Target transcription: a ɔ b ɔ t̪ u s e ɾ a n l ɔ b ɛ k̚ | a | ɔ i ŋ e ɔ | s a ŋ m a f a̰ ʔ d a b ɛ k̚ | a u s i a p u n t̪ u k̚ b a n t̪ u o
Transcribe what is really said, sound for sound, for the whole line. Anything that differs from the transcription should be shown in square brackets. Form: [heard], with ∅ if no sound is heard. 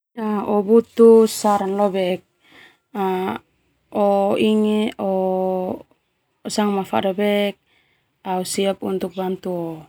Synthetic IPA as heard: a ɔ b [u] t̪ u s [a] ɾ a n l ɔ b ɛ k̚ | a | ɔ i ŋ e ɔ | s a ŋ m a f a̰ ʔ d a b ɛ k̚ | a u s i a p u n t̪ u k̚ b a n t̪ u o